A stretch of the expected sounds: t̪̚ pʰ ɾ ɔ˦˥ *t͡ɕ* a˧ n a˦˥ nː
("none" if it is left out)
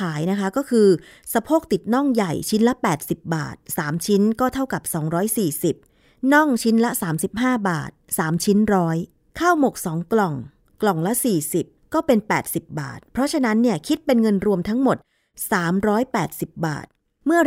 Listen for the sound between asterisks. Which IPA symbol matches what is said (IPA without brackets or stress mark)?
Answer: t͡ɕʰ